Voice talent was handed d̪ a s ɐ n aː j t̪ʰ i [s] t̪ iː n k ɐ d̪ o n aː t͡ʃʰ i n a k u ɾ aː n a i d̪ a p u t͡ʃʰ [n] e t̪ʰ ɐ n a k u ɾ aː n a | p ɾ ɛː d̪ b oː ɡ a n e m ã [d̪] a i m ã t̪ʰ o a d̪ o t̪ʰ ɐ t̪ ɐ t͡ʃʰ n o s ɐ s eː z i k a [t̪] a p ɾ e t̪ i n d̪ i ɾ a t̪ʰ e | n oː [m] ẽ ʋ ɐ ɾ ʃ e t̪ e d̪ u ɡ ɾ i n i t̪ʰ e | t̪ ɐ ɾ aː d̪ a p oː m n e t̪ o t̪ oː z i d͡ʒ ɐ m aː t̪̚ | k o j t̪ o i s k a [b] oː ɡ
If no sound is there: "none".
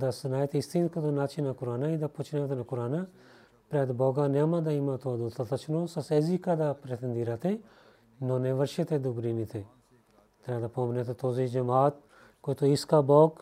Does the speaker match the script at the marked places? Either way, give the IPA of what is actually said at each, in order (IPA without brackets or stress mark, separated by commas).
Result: s, n, d̪, d̪, n, b